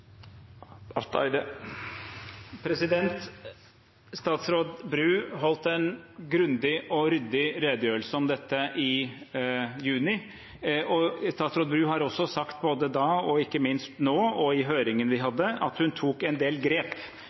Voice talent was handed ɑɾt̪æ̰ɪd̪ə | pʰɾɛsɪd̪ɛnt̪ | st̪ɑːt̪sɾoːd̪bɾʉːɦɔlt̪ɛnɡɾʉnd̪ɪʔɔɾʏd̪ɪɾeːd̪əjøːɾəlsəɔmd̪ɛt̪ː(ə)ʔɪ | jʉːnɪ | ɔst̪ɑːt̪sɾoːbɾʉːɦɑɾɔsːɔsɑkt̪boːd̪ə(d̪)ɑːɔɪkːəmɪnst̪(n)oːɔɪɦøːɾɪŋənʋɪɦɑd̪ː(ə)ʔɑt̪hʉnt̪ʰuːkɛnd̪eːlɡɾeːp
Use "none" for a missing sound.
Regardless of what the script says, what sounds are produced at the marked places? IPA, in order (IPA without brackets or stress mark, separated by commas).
ə, d̪, n, ə